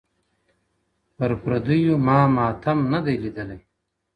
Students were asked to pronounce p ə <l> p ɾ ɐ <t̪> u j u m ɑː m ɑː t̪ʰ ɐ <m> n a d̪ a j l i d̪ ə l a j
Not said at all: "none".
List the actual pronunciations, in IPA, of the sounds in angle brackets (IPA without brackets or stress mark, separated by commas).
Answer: ɾ, d̪, m